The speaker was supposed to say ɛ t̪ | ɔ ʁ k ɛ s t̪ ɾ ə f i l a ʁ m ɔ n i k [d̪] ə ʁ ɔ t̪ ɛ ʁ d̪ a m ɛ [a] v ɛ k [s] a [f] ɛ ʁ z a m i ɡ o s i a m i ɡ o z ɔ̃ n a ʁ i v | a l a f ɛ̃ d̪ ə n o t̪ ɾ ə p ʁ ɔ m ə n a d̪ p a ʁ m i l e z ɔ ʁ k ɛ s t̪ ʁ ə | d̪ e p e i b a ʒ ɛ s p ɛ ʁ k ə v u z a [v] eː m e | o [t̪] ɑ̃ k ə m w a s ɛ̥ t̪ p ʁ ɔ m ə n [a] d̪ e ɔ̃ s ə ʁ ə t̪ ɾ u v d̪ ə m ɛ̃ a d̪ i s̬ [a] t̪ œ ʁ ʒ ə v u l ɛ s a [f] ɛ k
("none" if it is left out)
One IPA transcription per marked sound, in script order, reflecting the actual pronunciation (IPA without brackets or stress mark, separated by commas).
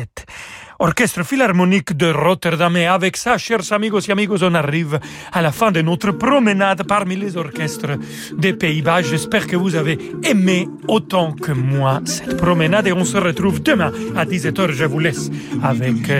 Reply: d̪, a, s, ʃ, v, t̪, a, ɛ, v